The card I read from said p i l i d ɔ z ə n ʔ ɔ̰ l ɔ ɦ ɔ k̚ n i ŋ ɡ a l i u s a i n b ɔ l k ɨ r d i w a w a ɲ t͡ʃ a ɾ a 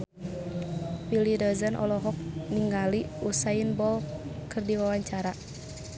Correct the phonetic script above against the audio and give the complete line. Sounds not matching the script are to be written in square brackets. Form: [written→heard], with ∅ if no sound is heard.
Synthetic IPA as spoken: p i l i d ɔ z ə n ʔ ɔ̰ l ɔ ɦ ɔ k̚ n i ŋ ɡ a l i u s a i n b ɔ l k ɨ r d i w a w a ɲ t͡ʃ a ɾ a